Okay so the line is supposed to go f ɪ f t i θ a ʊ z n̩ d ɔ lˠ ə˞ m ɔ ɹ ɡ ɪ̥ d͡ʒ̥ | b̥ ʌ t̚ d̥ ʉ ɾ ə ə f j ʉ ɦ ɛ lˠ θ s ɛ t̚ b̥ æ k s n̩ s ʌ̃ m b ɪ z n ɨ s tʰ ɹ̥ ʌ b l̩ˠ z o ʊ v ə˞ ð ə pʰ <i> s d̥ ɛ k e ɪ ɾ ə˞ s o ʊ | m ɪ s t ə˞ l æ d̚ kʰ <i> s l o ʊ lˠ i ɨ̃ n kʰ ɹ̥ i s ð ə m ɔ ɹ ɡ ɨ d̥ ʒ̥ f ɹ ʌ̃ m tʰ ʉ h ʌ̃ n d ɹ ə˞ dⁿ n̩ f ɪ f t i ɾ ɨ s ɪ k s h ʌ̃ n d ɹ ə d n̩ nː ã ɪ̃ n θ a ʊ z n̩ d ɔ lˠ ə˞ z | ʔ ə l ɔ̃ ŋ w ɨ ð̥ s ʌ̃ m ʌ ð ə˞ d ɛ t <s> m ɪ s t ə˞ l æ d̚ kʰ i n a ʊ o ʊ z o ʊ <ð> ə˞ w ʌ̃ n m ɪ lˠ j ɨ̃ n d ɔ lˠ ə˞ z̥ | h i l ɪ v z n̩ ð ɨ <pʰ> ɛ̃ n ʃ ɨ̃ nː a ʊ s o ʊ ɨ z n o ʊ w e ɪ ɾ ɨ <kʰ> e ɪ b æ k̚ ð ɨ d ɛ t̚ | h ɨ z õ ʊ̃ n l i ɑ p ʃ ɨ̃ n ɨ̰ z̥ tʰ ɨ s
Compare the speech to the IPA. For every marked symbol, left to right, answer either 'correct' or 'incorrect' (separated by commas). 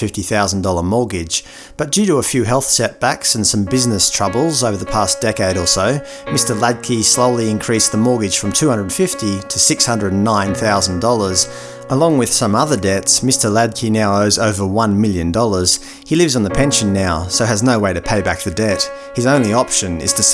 incorrect, correct, correct, incorrect, correct, incorrect